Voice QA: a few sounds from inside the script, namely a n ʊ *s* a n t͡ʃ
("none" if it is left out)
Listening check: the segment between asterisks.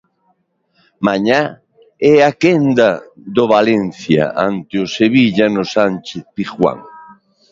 s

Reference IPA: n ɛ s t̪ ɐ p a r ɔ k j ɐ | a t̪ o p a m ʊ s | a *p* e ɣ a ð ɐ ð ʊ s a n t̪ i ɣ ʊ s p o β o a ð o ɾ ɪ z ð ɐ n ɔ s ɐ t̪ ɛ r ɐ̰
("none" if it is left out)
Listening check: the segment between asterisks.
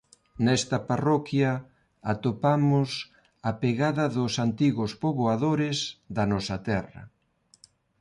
p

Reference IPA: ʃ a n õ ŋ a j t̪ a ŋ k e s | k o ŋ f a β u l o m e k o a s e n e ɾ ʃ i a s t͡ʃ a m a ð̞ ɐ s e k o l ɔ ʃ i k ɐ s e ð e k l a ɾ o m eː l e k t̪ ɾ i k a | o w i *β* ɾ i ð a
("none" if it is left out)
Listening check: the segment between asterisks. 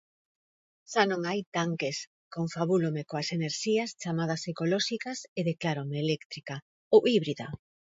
β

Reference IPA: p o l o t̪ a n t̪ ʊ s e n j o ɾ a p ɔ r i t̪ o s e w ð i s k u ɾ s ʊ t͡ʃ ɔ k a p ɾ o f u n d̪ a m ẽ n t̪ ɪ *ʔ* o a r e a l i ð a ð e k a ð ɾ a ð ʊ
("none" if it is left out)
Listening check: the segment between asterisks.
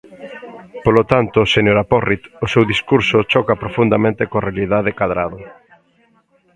k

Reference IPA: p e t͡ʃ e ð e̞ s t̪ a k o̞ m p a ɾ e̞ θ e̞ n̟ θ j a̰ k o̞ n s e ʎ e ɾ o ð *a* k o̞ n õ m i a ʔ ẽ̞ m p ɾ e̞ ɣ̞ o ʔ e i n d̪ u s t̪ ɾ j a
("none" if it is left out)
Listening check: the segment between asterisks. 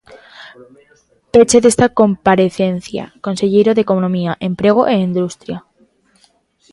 e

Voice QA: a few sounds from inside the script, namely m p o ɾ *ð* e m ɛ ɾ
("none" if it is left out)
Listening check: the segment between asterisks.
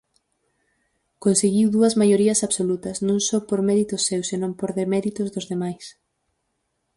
ð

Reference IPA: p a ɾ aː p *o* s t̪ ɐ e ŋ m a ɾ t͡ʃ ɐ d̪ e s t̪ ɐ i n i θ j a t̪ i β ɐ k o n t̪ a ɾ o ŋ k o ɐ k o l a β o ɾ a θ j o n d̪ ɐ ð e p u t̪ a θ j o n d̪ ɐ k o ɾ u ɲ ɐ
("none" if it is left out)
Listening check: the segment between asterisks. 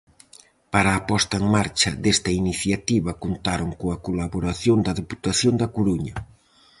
ɔ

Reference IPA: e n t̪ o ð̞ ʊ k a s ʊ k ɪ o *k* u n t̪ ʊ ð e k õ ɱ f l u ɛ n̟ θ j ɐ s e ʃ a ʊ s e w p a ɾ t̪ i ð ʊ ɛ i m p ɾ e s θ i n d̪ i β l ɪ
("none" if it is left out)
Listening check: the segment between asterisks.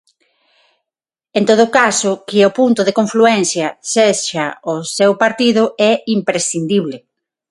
p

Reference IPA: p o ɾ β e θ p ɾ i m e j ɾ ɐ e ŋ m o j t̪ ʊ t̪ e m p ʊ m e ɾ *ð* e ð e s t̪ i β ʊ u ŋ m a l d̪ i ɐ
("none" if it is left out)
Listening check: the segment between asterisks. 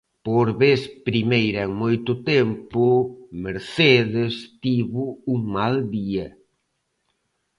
θ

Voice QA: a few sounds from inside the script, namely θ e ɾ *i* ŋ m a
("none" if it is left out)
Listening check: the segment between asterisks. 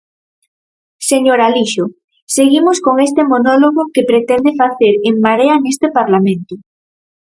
e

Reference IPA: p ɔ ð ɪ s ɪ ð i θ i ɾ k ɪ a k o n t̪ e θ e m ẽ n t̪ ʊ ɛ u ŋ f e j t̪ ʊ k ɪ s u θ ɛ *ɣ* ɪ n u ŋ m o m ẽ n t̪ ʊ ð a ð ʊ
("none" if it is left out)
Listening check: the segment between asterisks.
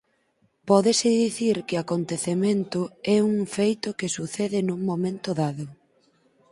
ð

